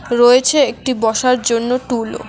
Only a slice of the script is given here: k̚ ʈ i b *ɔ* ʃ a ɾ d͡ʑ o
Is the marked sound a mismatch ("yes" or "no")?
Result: no